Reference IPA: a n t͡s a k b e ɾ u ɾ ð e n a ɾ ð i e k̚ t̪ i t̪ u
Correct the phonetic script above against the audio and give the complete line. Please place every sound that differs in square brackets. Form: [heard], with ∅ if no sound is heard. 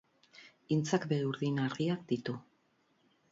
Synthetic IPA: [i] n t͡s a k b e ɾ u ɾ ð [i] n a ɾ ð i [a] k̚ [d̪] i t̪ u